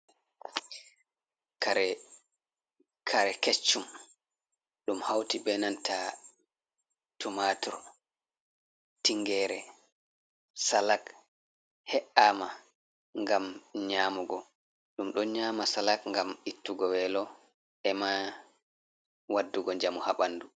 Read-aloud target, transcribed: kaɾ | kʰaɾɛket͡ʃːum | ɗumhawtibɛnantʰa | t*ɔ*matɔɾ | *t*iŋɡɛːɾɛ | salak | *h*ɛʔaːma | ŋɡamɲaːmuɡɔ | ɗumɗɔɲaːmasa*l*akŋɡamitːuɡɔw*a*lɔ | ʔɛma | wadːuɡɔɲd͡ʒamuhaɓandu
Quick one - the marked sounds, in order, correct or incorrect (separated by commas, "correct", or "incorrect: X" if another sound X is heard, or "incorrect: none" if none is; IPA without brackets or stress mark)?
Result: incorrect: u, correct, correct, correct, incorrect: ɛ